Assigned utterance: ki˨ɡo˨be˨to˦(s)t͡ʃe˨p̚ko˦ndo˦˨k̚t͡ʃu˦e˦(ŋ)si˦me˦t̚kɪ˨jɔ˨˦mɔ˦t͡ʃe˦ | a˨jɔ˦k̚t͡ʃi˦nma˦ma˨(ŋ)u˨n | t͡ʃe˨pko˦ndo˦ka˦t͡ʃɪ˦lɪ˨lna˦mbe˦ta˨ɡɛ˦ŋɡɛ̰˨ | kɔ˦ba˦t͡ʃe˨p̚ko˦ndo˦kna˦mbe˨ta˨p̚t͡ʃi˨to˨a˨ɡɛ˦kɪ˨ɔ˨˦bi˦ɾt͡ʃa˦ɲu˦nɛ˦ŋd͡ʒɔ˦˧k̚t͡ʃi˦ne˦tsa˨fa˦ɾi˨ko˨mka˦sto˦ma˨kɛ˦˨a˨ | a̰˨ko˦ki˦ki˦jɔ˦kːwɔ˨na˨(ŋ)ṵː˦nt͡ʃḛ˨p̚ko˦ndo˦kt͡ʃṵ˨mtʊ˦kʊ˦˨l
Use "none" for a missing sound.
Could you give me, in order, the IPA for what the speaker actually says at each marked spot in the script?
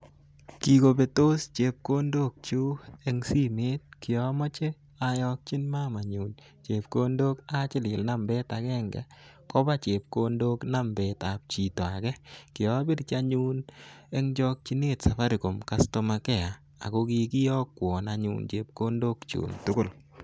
s, ŋ, ɲ, ɲ

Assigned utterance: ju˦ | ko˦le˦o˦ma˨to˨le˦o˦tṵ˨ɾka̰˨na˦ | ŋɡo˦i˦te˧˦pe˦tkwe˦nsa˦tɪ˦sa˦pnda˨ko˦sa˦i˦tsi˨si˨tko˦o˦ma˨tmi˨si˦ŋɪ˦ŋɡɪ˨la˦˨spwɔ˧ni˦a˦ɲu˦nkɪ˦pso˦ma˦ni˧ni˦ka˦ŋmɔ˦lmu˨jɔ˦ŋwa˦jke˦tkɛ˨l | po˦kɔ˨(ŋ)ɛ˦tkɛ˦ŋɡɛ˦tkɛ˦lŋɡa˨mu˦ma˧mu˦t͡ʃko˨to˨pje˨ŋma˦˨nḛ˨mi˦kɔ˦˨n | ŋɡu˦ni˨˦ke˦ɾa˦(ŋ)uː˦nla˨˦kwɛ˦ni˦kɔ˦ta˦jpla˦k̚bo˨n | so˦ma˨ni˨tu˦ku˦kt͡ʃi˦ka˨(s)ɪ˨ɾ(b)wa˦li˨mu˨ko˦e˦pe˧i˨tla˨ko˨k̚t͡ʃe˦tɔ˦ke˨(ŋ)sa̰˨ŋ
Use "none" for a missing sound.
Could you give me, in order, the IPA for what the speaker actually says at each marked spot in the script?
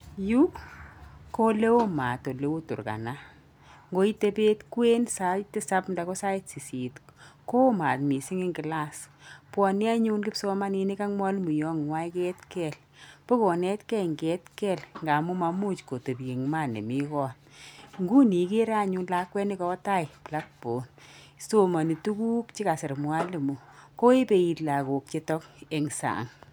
n, ɲ, s, m, ŋ

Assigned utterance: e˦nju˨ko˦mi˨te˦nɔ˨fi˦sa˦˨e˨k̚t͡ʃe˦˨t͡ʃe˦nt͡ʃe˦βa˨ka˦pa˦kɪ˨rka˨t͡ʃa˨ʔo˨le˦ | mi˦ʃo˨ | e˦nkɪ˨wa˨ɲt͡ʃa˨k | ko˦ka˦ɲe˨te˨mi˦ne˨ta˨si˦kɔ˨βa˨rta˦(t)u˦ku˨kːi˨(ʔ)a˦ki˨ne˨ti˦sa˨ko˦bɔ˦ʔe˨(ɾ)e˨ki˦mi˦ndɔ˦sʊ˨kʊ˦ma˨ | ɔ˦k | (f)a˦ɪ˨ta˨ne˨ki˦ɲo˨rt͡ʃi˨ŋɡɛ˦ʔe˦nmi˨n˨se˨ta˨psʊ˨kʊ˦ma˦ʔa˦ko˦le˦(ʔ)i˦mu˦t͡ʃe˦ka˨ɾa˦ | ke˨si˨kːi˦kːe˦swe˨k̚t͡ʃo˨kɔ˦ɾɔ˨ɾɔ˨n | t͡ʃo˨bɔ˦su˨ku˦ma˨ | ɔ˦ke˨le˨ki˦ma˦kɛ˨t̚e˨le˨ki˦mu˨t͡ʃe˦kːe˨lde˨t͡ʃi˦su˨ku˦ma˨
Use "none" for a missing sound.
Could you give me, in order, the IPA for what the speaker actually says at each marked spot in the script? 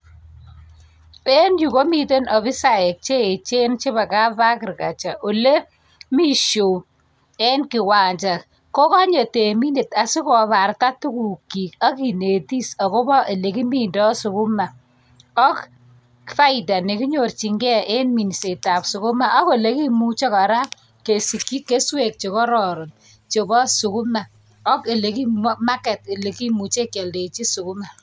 t, k, l, f, k

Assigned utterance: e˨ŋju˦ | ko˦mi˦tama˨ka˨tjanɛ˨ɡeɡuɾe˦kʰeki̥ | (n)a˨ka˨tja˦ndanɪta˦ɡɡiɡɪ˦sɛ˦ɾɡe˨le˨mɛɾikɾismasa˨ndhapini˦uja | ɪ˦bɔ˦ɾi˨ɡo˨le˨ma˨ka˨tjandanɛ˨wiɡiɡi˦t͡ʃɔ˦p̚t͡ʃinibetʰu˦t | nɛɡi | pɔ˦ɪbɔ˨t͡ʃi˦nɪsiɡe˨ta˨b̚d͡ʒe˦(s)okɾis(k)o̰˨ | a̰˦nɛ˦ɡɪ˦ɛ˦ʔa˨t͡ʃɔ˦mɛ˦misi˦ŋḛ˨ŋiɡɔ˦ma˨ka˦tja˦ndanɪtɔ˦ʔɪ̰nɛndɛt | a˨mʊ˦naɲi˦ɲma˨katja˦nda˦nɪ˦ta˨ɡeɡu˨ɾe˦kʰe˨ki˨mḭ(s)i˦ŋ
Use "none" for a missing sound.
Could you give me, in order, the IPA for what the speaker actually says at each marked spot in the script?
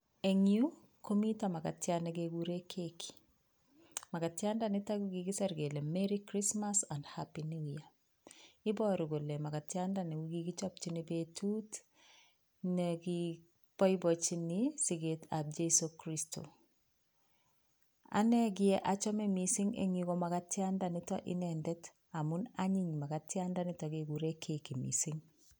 m, s, t, s

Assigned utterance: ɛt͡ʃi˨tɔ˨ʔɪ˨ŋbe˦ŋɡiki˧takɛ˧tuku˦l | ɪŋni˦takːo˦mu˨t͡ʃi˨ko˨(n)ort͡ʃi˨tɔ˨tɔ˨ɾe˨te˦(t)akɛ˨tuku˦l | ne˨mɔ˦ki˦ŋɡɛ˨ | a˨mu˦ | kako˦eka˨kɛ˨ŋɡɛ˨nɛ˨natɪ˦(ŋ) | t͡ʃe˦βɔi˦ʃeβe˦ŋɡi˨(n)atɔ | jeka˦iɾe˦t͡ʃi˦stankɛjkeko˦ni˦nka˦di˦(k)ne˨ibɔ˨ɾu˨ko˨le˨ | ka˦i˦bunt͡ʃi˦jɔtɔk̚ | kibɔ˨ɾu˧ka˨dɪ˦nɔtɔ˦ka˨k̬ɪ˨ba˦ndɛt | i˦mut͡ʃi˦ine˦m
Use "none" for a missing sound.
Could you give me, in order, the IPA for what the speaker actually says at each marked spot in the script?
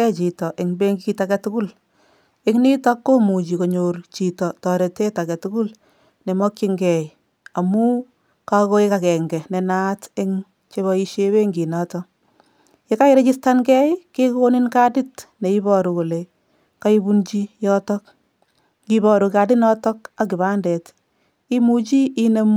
ɲ, t, ŋ, n, t

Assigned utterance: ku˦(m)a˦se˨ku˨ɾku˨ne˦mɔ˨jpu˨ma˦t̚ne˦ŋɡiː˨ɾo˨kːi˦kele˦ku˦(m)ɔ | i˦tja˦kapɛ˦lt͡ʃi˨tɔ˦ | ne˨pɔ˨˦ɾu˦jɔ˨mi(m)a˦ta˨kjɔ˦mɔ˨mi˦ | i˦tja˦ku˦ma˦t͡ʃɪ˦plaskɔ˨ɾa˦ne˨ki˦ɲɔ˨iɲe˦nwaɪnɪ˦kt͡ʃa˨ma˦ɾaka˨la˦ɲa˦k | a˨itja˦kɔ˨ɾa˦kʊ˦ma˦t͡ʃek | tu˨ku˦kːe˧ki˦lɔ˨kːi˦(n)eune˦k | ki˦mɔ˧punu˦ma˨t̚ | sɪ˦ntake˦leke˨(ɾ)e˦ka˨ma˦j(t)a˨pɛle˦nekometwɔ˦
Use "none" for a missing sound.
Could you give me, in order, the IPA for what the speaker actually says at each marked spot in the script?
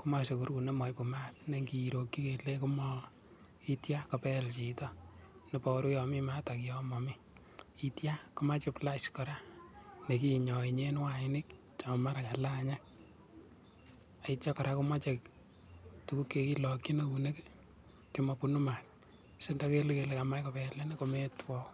m, m, m, n, l, k

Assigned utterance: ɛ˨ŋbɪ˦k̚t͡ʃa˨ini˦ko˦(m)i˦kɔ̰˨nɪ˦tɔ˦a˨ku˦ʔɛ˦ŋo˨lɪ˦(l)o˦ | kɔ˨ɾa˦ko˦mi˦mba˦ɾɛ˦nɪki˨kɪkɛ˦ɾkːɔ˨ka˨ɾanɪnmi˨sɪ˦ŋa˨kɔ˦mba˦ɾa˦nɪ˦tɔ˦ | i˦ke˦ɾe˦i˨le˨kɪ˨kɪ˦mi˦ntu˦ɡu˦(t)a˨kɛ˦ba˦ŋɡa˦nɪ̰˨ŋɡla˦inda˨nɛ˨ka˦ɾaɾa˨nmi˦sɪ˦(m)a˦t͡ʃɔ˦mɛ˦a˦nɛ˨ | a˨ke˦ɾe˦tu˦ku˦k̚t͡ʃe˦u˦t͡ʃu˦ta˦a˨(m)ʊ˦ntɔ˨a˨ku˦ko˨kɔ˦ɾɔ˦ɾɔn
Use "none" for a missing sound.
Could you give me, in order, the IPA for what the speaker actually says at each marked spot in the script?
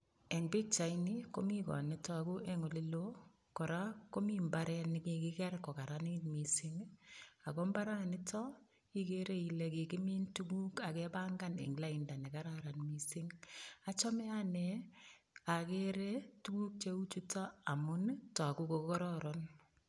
m, l, k, ŋ, m

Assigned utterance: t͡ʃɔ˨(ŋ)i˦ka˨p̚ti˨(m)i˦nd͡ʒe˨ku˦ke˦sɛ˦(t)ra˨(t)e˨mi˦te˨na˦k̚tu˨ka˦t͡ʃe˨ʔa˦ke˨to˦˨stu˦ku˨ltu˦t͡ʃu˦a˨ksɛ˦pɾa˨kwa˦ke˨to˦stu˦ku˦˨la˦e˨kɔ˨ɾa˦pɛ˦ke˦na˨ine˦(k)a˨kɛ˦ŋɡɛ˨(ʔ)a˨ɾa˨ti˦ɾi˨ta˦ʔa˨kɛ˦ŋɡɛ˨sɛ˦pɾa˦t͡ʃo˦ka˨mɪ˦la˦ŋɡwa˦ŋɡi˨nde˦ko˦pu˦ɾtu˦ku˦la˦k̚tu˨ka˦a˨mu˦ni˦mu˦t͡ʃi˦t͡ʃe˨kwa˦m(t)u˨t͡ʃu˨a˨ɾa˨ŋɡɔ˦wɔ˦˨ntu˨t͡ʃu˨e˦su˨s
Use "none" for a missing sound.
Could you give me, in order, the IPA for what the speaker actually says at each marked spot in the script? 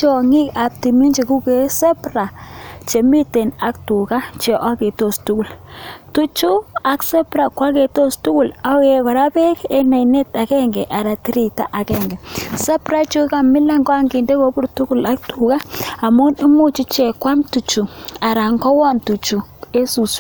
ŋ, m, p, t͡ʃ, t, ʔ, t

